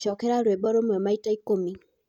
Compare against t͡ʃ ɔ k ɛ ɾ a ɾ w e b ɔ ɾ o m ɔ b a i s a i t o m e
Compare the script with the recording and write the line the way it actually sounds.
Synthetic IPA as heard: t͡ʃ ɔ k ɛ ɾ a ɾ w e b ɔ ɾ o m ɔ m a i t a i k o m i